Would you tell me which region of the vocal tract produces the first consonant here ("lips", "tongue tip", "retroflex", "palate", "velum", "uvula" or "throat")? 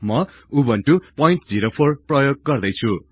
lips